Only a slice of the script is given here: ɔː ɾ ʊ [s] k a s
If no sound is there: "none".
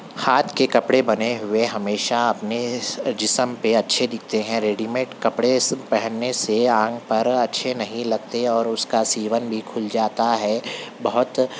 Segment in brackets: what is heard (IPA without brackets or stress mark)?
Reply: s